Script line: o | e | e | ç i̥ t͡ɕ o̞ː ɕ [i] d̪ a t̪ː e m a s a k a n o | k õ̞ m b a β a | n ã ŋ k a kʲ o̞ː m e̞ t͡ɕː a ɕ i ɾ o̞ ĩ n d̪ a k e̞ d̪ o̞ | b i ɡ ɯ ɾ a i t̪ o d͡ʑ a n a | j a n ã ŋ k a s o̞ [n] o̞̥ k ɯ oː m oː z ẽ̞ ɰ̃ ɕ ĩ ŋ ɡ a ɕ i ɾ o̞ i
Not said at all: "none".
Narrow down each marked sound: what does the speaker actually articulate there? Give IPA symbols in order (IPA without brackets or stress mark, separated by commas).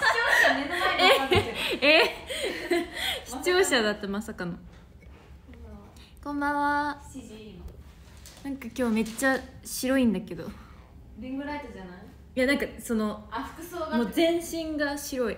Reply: a, n